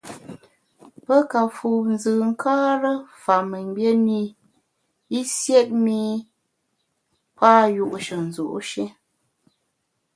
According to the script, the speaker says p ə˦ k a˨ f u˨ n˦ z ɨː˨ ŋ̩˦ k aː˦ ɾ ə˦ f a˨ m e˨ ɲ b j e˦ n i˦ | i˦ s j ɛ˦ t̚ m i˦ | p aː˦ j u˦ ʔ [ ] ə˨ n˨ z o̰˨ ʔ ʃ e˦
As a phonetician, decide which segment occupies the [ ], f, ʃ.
ʃ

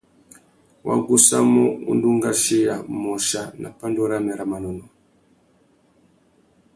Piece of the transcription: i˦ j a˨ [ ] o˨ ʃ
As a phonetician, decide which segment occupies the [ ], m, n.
m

